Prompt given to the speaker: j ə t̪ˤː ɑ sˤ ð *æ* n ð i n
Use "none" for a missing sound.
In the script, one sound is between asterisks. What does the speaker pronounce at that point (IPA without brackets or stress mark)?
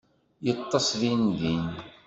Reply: i